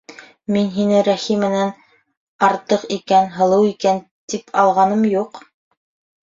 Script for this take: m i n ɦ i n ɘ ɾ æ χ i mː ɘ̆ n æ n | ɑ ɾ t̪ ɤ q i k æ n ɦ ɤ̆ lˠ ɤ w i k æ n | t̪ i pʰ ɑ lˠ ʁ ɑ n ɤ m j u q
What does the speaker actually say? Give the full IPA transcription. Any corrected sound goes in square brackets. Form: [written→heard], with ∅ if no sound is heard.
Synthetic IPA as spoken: m i n ɦ i n ɘ ɾ æ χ i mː ɘ̆ n æ n | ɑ ɾ t̪ ɤ q i k æ n ɦ ɤ̆ lˠ ɤ w i k æ n | t̪ i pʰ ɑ lˠ ʁ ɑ n ɤ m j u q